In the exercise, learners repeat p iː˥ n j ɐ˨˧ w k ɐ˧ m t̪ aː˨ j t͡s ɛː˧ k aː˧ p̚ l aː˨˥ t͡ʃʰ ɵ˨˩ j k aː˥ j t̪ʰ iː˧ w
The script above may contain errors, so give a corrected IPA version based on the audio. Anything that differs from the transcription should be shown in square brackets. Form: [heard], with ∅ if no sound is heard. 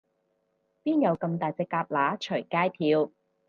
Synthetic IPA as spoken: p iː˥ n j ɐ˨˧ w k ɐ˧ m t̪ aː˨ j t͡s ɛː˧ k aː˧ p̚ l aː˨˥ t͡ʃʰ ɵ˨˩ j k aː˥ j t̪ʰ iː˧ w